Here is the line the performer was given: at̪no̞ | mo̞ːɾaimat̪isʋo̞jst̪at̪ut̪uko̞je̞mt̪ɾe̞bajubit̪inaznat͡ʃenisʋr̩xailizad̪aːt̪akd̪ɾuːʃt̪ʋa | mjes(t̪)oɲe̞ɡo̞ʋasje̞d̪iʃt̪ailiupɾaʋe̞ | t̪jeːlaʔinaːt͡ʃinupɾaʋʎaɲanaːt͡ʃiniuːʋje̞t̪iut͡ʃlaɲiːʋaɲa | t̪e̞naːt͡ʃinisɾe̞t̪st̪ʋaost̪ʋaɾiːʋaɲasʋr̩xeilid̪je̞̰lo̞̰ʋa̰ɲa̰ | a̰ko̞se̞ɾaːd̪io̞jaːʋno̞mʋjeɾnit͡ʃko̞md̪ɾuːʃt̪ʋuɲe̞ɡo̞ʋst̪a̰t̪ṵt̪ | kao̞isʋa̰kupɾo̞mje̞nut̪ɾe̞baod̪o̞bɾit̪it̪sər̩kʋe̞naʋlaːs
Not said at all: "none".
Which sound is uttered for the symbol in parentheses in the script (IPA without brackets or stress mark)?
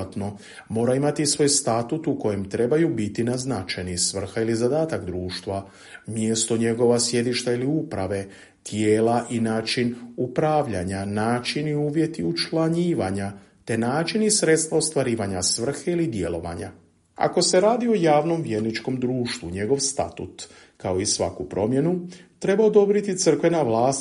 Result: t̪